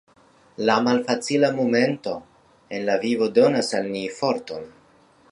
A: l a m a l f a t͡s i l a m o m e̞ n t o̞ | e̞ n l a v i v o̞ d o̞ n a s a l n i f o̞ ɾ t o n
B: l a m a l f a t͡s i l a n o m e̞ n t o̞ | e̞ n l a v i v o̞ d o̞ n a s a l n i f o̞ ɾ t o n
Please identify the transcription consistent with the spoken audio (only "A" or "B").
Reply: A